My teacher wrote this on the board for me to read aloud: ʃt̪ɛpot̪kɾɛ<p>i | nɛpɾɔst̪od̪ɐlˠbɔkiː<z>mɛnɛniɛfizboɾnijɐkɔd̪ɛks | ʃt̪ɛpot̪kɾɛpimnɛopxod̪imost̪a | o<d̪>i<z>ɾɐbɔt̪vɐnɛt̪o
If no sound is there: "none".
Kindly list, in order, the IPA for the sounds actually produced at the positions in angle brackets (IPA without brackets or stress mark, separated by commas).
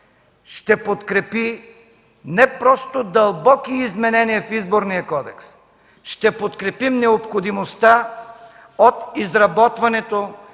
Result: p, z, t̪, z